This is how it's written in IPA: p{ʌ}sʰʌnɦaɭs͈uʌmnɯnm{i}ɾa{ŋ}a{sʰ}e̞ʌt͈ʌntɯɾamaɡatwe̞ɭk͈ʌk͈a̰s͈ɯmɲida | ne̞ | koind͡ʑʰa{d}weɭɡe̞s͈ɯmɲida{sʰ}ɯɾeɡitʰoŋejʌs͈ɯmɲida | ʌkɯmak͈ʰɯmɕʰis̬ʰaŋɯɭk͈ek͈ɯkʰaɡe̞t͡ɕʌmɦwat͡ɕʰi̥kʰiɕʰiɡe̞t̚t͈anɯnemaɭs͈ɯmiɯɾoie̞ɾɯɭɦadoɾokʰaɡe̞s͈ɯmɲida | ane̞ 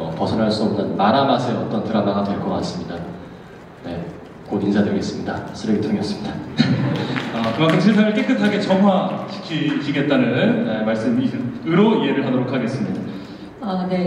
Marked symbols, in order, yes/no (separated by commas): yes, no, no, yes, yes, yes